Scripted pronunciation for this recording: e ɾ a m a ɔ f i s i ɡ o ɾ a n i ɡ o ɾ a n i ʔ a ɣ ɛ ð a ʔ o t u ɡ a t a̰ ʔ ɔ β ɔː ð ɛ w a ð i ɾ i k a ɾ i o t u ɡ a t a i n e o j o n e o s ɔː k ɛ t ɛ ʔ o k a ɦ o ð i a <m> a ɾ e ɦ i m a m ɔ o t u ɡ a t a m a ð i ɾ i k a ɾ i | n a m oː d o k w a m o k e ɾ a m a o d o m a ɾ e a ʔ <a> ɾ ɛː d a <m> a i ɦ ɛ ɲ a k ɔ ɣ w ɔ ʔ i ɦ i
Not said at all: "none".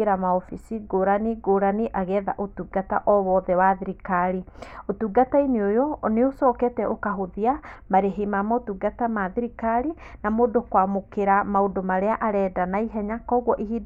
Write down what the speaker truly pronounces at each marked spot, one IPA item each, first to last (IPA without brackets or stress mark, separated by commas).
m, a, n